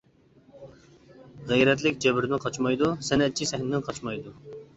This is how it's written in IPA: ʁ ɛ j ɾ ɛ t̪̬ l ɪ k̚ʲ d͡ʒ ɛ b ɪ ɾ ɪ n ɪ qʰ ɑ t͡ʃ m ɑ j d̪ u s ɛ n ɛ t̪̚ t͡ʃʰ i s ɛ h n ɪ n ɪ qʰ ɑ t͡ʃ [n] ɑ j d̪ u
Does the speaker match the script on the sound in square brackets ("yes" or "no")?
no